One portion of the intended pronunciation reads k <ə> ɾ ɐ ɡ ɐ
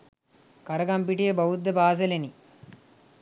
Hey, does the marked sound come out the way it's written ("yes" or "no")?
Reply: no